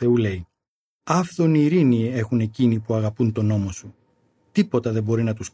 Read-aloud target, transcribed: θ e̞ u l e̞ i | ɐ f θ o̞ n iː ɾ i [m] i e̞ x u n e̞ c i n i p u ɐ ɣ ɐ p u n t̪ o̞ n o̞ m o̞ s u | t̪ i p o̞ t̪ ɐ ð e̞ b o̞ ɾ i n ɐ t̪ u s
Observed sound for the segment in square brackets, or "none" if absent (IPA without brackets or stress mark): n